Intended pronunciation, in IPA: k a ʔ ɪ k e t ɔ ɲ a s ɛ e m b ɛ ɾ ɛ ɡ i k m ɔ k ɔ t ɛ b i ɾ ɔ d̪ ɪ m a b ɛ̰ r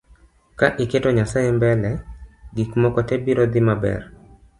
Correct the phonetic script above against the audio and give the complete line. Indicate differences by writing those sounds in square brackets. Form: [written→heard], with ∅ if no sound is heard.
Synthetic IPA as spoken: k a ʔ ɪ k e t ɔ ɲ a s [ɛ→a] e m b ɛ [ɾ→l] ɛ ɡ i k m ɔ k ɔ t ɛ b i ɾ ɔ d̪ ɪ m a b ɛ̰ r

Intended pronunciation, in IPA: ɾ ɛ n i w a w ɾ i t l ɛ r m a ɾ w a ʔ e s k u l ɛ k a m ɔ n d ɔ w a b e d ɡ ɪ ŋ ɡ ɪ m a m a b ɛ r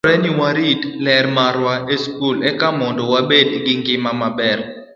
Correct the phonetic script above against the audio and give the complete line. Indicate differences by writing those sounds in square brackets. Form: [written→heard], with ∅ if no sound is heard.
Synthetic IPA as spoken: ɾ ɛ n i w a [w→∅] ɾ i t l ɛ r m a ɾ w a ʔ e s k u l ɛ k a m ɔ n d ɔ w a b e d ɡ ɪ ŋ ɡ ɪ m a m a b ɛ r

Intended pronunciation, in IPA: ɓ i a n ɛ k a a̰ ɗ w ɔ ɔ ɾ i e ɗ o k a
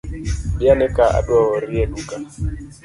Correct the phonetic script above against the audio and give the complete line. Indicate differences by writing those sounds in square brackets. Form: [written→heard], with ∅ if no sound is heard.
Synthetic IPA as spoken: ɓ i a n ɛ k a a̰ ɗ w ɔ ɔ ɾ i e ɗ [o→u] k a

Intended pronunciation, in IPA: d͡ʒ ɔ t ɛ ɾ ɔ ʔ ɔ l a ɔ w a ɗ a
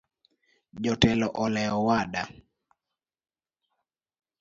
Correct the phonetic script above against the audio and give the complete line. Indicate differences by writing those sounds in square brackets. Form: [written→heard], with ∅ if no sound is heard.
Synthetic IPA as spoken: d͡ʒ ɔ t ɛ [ɾ→l] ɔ ʔ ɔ l [a→ɛ] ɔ w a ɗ a

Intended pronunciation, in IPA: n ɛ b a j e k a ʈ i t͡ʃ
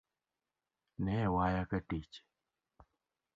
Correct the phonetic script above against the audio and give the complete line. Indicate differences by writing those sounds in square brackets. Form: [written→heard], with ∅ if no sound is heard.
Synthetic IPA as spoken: n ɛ [b→w] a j [e→a] k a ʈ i t͡ʃ

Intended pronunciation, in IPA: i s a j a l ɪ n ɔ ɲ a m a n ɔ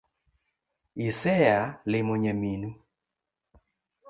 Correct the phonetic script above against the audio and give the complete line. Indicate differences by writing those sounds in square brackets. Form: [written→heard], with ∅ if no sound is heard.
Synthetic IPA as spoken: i s [a→ɛ] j a l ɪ [n→m] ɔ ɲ a m [a→i] n [ɔ→u]

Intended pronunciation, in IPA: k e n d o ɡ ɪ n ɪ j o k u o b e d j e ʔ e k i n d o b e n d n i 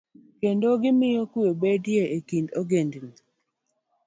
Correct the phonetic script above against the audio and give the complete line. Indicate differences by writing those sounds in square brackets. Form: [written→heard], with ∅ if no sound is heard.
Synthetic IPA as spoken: k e n d o ɡ ɪ [n→m] ɪ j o k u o b e d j e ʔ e k i n d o [b→ɡ] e n d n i

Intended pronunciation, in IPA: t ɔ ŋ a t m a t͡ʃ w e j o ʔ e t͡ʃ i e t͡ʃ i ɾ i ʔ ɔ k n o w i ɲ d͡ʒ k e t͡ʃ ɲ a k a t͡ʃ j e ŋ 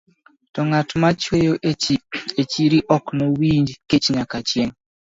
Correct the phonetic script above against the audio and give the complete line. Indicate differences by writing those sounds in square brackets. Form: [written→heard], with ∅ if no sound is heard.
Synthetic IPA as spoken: t ɔ ŋ a t m a t͡ʃ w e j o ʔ e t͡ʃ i e t͡ʃ i ɾ i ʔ ɔ k n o w i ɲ d͡ʒ k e t͡ʃ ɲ a k a t͡ʃ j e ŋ

